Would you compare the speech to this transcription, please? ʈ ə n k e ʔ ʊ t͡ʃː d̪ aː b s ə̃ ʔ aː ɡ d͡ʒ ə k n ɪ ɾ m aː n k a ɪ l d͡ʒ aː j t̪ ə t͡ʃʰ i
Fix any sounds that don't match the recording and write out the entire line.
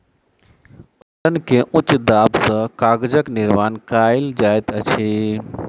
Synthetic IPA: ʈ ə n k e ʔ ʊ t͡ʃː d̪ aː b s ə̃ k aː ɡ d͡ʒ ə k n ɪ ɾ m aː n k a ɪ l d͡ʒ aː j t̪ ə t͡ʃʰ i

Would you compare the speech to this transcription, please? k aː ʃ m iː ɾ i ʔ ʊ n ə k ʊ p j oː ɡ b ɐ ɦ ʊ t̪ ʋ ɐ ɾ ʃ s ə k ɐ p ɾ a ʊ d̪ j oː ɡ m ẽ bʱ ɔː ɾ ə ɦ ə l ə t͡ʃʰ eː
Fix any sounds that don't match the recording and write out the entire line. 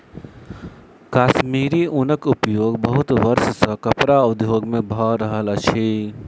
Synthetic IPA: k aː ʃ m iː ɾ i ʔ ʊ n ə k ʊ p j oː ɡ b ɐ ɦ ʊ t̪ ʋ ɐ ɾ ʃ s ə k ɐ p ɾ a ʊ d̪ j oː ɡ m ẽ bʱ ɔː ɾ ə ɦ ə l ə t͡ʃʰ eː

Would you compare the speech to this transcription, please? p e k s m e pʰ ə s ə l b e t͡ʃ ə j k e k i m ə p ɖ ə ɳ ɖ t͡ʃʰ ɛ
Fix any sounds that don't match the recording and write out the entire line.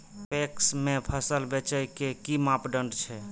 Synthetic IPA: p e k s m e pʰ ə s ə l b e t͡ʃ ə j k e k i m a p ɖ ə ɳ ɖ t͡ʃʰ ɛ

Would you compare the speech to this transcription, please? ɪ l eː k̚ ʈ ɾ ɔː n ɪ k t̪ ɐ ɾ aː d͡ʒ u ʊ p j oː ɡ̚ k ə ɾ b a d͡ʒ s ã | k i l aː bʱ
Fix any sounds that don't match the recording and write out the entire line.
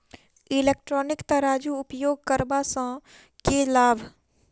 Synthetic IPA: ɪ l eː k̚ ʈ ɾ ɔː n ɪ k t̪ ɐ ɾ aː d͡ʒ u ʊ p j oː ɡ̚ k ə ɾ b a s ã | k e l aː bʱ

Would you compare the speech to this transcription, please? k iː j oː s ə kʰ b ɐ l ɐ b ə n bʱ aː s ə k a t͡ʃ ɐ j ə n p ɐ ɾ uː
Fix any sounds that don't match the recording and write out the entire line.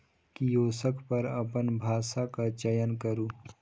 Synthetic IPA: k i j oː s ə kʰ p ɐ ɾ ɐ p ə n bʱ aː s a k a t͡ʃ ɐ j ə n k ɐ ɾ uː

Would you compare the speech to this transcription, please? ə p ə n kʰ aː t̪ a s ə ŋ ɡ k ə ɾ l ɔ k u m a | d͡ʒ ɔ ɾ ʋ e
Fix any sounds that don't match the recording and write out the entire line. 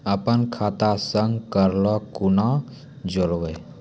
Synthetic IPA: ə p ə n kʰ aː t̪ a s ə ŋ ɡ k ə ɾ l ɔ k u n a | d͡ʒ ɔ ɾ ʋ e

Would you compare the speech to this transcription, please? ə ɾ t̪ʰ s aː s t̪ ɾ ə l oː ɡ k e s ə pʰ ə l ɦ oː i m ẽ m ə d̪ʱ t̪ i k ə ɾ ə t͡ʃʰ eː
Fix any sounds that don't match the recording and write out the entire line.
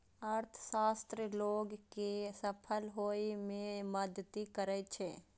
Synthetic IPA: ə ɾ t̪ʰ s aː s t̪ ɾ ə l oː ɡ k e s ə pʰ ə l ɦ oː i m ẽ m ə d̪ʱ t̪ i k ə ɾ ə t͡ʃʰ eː

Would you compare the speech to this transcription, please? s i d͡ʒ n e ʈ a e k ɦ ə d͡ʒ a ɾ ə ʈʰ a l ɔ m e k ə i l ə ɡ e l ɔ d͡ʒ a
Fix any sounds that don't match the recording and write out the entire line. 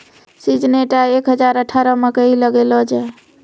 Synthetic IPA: s i d͡ʒ n e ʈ a e k ɦ ə d͡ʒ a ɾ ə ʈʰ a ɾ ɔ m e k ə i l ə ɡ e l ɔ d͡ʒ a

